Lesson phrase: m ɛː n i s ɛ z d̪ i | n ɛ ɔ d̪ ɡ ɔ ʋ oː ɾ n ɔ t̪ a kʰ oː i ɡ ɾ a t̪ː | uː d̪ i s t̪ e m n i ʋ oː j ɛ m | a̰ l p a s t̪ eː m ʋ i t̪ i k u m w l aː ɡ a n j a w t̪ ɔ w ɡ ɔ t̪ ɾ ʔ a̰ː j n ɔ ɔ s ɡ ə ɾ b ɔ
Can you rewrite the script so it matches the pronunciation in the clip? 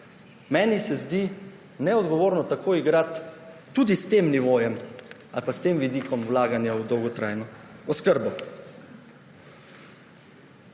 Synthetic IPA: m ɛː n i s ɛ z d̪ i | n ɛ ɔ d̪ ɡ ɔ ʋ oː ɾ n ɔ t̪ a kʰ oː i ɡ ɾ a t̪ː | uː d̪ i s t̪ e m n i ʋ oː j ɛ m | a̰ l p a s t̪ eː m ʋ i d̪ i k ɔ m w l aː ɡ a n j a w d̪ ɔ w ɡ ɔ t̪ ɾ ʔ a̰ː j n ɔ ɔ s k ə ɾ b ɔ